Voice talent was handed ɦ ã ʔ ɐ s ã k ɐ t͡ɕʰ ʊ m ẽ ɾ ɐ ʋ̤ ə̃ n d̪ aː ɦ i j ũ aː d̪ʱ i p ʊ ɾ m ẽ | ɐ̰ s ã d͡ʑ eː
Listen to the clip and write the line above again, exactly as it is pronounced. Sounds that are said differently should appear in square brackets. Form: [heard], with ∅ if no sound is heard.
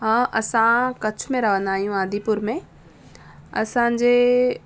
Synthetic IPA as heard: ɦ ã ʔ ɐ s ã k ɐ t͡ɕʰ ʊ m ẽ ɾ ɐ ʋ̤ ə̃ n d̪ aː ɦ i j ũ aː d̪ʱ i p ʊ ɾ m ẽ | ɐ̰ s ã d͡ʑ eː